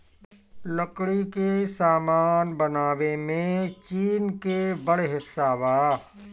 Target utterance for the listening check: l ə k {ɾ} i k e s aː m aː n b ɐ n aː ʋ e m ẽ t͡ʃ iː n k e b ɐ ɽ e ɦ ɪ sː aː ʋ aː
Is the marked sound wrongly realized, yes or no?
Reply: yes